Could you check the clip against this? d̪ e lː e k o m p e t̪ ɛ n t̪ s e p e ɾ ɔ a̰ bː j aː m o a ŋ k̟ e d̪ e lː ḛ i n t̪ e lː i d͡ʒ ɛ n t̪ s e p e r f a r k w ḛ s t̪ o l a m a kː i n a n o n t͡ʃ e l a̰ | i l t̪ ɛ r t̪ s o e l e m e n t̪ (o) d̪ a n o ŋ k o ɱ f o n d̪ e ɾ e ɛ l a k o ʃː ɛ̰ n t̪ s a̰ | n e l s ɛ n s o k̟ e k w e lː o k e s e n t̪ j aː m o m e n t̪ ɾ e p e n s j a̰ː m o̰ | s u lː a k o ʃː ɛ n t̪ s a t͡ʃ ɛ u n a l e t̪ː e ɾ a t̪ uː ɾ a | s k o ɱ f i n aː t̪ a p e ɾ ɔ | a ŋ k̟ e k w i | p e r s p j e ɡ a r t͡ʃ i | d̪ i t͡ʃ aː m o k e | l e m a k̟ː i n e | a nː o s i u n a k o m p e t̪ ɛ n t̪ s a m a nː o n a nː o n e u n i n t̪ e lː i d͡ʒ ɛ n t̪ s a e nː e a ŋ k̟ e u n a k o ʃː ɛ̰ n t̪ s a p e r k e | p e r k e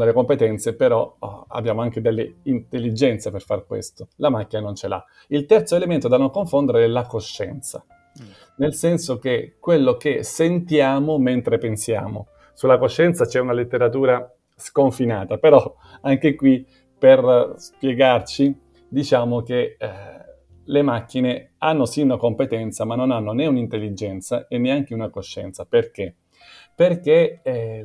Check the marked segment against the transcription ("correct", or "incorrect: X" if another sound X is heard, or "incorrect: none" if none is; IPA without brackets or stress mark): correct